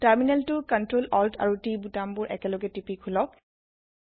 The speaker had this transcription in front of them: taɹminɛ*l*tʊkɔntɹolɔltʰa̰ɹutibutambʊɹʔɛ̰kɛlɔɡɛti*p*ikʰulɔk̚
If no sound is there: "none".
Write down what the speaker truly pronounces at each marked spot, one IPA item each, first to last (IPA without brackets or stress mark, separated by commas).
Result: l, p